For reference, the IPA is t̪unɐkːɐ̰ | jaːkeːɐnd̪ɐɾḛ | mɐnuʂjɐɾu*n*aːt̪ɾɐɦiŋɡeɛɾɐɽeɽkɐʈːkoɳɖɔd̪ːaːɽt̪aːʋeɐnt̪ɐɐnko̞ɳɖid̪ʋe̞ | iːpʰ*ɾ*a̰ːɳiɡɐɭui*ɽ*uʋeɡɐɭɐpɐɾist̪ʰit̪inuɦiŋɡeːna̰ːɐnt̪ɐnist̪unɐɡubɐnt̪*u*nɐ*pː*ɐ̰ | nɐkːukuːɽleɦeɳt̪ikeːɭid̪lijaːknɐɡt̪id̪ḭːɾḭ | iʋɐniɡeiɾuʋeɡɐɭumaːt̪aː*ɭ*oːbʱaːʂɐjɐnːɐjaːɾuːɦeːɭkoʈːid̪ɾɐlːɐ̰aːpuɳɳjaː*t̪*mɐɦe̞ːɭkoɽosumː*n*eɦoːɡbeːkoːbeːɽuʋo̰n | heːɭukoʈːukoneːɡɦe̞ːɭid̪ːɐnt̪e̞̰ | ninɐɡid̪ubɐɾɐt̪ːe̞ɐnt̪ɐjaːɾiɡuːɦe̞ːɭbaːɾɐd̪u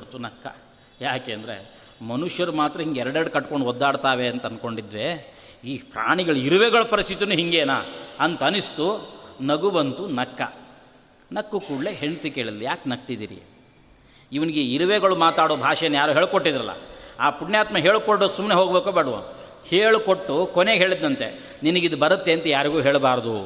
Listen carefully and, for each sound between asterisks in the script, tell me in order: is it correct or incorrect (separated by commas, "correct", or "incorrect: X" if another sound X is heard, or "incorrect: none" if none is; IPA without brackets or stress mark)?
incorrect: m, correct, incorrect: ɾ, correct, incorrect: kː, incorrect: ɽ, correct, correct